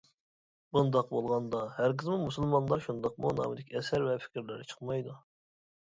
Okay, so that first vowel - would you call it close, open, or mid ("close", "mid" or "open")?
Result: close